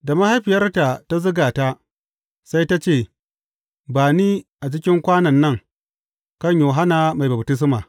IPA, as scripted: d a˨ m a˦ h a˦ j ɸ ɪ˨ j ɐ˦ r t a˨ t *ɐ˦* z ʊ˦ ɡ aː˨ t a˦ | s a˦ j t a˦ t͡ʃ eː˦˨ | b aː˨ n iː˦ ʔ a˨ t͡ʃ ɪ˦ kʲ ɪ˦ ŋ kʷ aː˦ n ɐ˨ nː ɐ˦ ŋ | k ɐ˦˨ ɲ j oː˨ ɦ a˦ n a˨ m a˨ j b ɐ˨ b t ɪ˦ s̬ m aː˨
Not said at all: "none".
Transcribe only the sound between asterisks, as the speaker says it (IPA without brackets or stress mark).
a˦